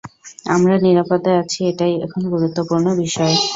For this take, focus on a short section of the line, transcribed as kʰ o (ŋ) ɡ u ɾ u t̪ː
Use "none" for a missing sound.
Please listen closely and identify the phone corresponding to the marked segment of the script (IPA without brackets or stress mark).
n